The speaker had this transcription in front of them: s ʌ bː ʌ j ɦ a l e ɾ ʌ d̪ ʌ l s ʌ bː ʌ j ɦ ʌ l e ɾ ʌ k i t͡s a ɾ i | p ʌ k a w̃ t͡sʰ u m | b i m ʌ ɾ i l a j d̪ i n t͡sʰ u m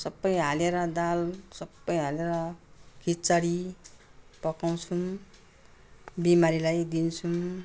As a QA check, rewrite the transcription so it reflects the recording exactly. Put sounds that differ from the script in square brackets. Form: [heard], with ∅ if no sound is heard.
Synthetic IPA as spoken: s ʌ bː ʌ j ɦ a l e ɾ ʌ d̪ [a] l s ʌ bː ʌ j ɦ [a] l e ɾ ʌ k i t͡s a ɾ i | p ʌ k a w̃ t͡sʰ u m | b i m [a] ɾ i l a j d̪ i n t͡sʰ u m

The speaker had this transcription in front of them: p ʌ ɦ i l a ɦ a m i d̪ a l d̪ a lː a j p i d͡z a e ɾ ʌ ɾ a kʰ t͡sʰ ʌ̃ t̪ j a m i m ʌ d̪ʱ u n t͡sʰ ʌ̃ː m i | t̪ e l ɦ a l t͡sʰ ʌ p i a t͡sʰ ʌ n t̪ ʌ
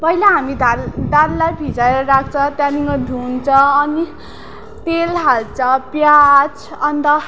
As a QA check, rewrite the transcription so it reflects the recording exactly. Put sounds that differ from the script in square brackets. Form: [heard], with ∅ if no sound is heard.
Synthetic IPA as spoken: p ʌ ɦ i l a ɦ a m i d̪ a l d̪ a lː a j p i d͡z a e ɾ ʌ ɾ a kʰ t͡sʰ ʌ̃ t̪ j a [n] i [ŋ] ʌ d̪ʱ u n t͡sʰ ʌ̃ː [n] i | t̪ e l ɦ a l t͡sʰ ʌ p [j] a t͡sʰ ʌ n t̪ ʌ

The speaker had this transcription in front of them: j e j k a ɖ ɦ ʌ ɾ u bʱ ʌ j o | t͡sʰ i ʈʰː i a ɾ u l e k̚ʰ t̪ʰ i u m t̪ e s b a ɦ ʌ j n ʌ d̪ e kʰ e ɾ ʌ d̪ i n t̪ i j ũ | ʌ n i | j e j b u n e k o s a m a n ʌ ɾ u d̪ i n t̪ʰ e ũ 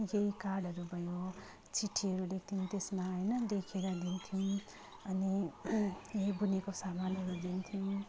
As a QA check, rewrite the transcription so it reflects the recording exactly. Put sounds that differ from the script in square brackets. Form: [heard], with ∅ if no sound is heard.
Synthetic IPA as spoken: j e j k a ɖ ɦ ʌ ɾ u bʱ ʌ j o | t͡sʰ i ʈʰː i [ʌ] ɾ u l e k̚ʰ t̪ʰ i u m t̪ e s [m] a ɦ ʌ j n ʌ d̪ e kʰ e ɾ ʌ d̪ i n [t̪ʰ] i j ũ | ʌ n i | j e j b u n e k o s a m a n ʌ ɾ u d̪ i n t̪ʰ [i] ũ

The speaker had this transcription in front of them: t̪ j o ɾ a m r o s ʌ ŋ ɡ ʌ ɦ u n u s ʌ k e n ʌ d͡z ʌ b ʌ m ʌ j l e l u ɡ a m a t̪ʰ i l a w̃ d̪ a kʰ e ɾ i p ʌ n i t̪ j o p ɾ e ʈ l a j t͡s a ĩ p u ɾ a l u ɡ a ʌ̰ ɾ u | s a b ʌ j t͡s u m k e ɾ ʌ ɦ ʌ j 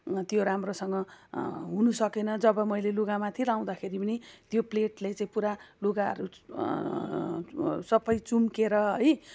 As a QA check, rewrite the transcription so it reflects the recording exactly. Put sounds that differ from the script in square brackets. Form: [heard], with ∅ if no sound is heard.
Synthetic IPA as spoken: t̪ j o ɾ a m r o s ʌ ŋ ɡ ʌ ɦ u n u s ʌ k e n ʌ d͡z ʌ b ʌ m ʌ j l e l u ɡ a m a t̪ʰ i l a w̃ d̪ a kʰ e ɾ i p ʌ n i t̪ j o p [l] e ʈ l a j t͡s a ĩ p u ɾ a l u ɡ a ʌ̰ ɾ u | s [ʌ] b ʌ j t͡s u m k e ɾ ʌ ɦ ʌ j

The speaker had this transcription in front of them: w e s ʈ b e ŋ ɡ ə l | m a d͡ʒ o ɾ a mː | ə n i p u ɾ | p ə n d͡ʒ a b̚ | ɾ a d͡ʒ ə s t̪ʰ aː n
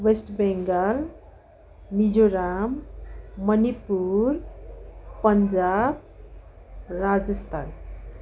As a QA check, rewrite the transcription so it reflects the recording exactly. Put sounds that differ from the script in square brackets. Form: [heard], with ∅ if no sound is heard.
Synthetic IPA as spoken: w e s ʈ b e ŋ ɡ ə l | m [i] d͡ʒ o ɾ a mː | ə n i p u ɾ | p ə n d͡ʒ a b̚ | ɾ a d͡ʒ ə s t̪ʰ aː n

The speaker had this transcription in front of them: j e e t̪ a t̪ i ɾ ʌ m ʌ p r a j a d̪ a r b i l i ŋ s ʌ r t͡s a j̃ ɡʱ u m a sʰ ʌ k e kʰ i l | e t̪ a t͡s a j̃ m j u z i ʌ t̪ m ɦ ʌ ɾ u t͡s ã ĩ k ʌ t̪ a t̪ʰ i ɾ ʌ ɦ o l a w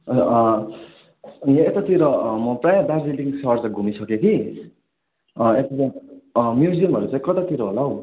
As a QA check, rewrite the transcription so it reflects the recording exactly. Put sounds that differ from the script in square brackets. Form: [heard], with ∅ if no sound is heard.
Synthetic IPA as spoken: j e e t̪ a t̪ i ɾ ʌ m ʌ p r a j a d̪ a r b i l i ŋ s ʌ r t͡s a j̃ ɡʱ u m [i] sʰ ʌ k e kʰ i [∅] | e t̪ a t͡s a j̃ m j u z i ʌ [∅] m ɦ ʌ ɾ u t͡s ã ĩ k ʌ t̪ a [t̪] i ɾ ʌ ɦ o l a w

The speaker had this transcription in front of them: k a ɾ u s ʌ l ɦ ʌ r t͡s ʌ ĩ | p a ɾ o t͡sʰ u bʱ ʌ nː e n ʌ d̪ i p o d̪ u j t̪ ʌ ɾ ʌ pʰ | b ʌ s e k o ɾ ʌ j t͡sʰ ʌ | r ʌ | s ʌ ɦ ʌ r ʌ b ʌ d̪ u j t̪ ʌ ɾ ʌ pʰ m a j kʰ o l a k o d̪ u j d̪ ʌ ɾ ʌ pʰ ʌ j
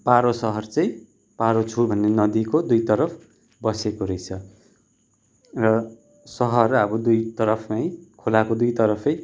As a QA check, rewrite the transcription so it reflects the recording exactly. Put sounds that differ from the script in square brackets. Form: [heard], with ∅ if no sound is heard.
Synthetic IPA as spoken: [p] a ɾ [o] s ʌ [∅] ɦ ʌ r t͡s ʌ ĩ | p a ɾ o t͡sʰ u bʱ ʌ nː e n ʌ d̪ i [k] o d̪ u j t̪ ʌ ɾ ʌ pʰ | b ʌ s e k o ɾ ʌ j t͡sʰ ʌ | r ʌ | s ʌ ɦ ʌ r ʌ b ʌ d̪ u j t̪ ʌ ɾ ʌ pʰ m a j kʰ o l a k o d̪ u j [t̪] ʌ ɾ ʌ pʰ ʌ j

